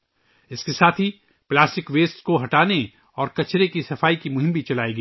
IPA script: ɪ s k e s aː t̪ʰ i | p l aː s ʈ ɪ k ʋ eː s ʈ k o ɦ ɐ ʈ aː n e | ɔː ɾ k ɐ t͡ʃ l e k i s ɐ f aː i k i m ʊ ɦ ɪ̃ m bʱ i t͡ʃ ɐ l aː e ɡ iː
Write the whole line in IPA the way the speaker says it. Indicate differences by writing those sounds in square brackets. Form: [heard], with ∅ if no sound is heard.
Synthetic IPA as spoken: ɪ s k e s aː t̪ʰ i | p l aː s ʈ ɪ k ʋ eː s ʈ k o ɦ ɐ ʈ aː n e | ɔː ɾ k ɐ t͡ʃ [ɾ] e k i s ɐ f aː i k i m ʊ ɦ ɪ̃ m bʱ i t͡ʃ ɐ l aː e ɡ iː